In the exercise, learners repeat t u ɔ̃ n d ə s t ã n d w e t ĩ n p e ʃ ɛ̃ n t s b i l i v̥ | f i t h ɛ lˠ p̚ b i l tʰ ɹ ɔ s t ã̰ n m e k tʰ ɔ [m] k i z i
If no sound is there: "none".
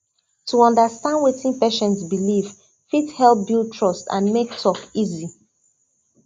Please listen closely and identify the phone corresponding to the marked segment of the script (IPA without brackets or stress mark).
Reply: none